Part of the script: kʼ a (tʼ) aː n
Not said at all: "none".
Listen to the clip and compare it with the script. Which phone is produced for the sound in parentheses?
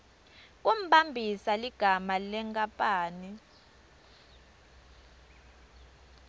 pʼ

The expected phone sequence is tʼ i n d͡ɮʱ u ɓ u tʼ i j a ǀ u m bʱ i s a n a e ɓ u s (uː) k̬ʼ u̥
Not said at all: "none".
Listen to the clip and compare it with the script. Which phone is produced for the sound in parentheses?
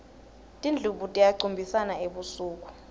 uː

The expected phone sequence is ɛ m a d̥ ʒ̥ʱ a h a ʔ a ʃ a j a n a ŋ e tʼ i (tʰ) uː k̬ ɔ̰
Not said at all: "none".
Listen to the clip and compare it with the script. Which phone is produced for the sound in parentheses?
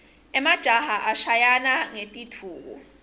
tʰ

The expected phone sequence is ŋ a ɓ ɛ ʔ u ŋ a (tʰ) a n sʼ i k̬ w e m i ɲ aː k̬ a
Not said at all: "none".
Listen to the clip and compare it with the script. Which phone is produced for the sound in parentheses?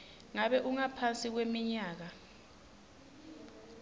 pʰ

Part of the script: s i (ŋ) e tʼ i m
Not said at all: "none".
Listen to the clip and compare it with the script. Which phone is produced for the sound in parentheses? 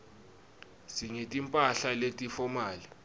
ŋ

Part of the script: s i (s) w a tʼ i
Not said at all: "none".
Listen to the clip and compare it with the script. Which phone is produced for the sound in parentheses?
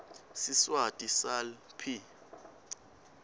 s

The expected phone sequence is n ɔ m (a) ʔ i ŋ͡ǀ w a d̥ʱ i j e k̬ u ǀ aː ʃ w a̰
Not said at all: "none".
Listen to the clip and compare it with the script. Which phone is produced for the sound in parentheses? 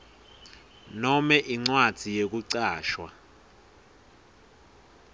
ɛ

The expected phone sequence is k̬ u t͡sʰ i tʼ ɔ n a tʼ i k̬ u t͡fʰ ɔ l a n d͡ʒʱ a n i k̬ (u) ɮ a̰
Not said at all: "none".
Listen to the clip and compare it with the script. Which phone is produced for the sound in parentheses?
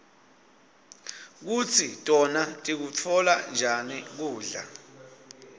uː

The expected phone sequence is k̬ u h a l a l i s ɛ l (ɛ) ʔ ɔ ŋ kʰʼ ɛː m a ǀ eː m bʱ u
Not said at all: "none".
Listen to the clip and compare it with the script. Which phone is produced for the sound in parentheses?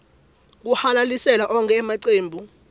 a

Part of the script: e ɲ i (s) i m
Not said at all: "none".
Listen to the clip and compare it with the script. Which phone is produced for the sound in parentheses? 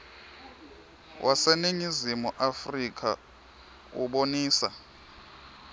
z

